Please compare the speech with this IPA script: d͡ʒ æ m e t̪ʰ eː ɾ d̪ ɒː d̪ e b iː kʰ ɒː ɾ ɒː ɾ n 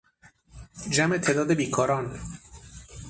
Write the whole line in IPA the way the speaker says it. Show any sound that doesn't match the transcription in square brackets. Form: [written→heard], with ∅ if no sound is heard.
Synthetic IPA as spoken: d͡ʒ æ m e t̪ʰ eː [ɾ→∅] d̪ ɒː d̪ e b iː kʰ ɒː ɾ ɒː [ɾ→∅] n